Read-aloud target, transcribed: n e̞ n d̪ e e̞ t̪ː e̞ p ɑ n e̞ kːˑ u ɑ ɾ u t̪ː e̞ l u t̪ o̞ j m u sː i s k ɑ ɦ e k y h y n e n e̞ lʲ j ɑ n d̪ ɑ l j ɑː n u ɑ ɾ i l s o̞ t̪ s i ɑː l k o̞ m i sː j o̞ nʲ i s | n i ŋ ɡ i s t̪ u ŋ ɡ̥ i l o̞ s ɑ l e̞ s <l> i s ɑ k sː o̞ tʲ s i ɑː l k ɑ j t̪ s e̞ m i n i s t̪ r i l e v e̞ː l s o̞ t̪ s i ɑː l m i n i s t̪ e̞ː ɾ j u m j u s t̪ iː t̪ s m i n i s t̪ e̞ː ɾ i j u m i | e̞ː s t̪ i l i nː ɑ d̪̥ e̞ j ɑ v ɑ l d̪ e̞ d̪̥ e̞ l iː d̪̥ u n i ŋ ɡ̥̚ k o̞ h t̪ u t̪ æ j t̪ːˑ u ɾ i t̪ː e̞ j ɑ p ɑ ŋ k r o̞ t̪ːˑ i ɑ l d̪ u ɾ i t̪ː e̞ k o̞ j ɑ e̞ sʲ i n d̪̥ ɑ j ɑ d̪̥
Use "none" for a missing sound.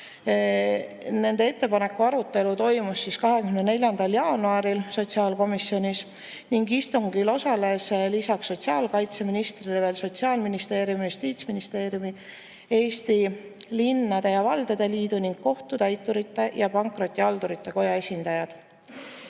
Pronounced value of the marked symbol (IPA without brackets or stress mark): l